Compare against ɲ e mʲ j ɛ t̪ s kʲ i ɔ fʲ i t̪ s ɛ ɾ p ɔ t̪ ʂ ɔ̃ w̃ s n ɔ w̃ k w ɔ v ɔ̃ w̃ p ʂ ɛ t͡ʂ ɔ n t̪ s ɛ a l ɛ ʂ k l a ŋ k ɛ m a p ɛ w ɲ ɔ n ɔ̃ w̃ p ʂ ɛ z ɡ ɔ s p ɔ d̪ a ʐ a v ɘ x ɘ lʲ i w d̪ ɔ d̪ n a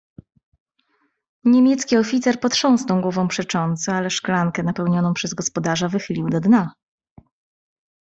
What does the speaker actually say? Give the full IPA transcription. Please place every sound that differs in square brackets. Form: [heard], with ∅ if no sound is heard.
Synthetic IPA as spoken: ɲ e mʲ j ɛ t̪ s kʲ i ɔ fʲ i t̪ s ɛ ɾ p ɔ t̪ ʂ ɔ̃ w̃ s n ɔ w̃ [ɡ] w ɔ v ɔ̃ w̃ p ʂ ɛ t͡ʂ ɔ n t̪ s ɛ a l ɛ ʂ k l a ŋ k ɛ [n] a p ɛ w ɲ ɔ n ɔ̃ w̃ p ʂ ɛ z ɡ ɔ s p ɔ d̪ a ʐ a v ɘ x ɘ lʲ i w d̪ ɔ d̪ n a